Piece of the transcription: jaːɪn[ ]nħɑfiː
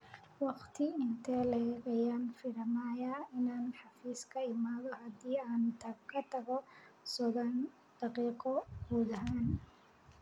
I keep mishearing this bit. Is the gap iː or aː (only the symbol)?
aː